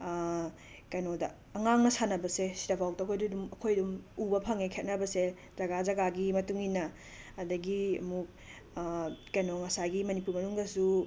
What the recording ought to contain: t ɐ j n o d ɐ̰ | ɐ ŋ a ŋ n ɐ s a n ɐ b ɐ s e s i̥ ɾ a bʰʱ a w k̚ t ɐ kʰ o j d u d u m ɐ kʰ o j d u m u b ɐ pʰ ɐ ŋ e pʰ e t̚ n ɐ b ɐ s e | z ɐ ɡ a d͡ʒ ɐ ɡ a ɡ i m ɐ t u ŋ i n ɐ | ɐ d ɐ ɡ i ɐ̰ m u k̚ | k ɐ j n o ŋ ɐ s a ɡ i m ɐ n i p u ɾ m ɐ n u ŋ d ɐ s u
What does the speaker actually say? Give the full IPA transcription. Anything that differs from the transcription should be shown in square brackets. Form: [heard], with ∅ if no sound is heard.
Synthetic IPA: [k] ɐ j n o d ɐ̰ | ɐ ŋ a ŋ n ɐ s a n ɐ b ɐ s e s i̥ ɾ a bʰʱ a w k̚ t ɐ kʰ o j d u d u m ɐ kʰ o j d u m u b ɐ pʰ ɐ ŋ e [kʰ] e t̚ n ɐ b ɐ s e | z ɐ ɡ a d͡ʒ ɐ ɡ a ɡ i m ɐ t u ŋ i n ɐ | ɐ d ɐ ɡ i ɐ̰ m u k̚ | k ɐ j n o ŋ ɐ s a ɡ i m ɐ n i p u ɾ m ɐ n u ŋ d ɐ s u